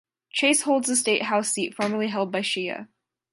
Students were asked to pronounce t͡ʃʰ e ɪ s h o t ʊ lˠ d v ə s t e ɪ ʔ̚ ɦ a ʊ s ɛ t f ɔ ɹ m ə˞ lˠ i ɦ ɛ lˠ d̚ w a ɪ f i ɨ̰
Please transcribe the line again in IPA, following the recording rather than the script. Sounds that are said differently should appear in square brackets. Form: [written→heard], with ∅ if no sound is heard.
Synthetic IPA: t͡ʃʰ e ɪ s h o [t→∅] ʊ lˠ d [v→z] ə s t e ɪ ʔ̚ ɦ a ʊ s [ɛ→i] t f ɔ ɹ m ə˞ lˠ i ɦ ɛ lˠ d̚ [w→b] a ɪ [f→ʃ] i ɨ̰